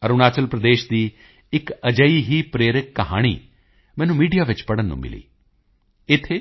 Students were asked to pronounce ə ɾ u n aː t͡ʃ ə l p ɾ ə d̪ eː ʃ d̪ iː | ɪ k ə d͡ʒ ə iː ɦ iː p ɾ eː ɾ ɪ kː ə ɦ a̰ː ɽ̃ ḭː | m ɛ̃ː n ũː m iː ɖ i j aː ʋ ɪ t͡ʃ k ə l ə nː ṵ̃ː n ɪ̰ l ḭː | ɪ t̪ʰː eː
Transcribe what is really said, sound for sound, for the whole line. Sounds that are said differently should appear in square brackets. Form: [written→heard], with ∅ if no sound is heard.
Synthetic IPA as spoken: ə ɾ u n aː t͡ʃ ə l p ɾ ə d̪ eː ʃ d̪ iː | ɪ k ə d͡ʒ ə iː ɦ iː p ɾ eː ɾ ɪ kː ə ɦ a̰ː ɽ̃ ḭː | m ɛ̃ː n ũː m iː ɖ i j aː ʋ ɪ t͡ʃ [k→p] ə [l→ɽ] ə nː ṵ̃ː [n→m] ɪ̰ l ḭː | ɪ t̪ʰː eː